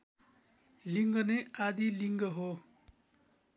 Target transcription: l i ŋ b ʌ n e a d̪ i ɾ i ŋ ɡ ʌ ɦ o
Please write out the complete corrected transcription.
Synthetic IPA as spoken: l i ŋ ɡ ʌ n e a d̪ i l i ŋ ɡ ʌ ɦ o